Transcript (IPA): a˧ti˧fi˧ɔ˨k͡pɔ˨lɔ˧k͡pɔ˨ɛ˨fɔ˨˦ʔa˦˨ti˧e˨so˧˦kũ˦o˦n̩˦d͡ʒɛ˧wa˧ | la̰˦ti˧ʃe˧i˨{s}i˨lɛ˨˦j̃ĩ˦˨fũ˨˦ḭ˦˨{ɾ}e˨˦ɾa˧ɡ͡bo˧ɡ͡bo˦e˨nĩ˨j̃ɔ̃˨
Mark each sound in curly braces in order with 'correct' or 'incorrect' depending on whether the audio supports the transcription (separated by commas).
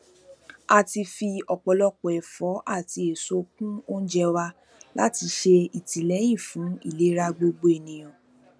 incorrect, incorrect